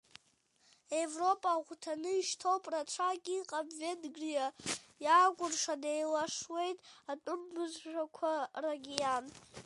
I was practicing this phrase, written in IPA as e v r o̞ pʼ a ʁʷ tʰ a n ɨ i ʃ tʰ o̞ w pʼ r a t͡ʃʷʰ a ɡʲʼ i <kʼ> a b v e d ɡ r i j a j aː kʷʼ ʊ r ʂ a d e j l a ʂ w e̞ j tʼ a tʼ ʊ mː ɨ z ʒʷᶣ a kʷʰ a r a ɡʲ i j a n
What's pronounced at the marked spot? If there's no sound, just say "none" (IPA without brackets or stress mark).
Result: qʼ